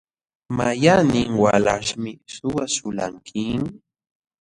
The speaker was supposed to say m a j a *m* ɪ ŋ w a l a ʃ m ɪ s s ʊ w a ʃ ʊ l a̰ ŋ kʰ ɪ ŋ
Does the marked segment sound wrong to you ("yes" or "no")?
yes